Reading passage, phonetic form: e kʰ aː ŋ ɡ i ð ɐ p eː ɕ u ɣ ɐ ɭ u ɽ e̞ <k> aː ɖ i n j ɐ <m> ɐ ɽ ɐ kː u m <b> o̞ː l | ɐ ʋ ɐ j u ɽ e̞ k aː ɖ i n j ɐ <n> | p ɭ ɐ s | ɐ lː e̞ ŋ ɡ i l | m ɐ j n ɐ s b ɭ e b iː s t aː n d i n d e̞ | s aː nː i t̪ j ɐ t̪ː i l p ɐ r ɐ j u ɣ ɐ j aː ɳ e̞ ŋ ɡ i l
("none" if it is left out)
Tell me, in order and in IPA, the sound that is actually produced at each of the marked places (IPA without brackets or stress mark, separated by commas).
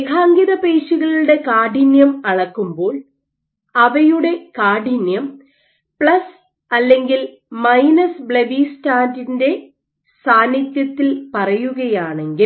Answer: k, m, b, m